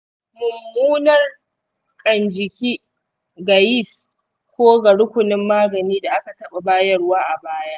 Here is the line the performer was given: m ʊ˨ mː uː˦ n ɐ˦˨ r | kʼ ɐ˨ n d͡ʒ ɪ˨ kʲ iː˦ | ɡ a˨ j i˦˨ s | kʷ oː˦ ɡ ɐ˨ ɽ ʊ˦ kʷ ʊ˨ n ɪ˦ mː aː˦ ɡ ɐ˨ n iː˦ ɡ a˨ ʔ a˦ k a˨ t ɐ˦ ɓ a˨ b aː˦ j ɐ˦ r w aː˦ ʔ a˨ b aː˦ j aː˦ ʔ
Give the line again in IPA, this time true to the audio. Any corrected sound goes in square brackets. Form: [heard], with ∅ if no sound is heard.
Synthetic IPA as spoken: m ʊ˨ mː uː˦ n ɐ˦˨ r | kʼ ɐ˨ n d͡ʒ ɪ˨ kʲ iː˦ | ɡ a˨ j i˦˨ s | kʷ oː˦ ɡ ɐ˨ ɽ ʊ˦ kʷ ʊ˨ n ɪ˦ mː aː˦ ɡ ɐ˨ n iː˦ [d] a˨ ʔ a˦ k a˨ t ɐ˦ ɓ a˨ b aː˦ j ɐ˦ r w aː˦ ʔ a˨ b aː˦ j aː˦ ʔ